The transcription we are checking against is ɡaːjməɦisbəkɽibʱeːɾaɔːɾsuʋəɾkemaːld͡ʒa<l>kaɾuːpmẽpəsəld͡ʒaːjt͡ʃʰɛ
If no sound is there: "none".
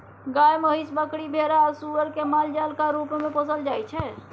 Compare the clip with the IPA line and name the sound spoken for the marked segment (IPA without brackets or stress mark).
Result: l